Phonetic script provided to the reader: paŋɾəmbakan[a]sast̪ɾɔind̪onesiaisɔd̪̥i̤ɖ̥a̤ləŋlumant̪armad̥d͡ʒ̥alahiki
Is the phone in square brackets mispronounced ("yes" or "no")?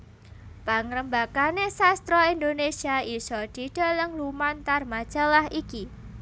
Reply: yes